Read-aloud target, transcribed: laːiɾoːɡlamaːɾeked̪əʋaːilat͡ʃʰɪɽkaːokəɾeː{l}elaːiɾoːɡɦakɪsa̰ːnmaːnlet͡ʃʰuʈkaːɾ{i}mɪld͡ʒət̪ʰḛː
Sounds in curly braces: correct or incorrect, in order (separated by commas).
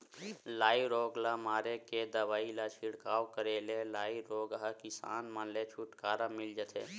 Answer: correct, incorrect